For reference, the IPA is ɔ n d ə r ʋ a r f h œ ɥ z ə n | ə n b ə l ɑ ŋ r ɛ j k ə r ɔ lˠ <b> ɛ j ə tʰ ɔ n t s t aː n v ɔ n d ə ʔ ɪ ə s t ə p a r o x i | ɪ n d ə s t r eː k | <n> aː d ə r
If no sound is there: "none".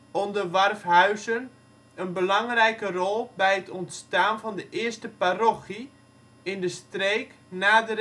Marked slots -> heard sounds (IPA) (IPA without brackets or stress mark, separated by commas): b, n